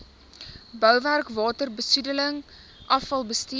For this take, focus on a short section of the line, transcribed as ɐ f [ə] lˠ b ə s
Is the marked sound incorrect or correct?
incorrect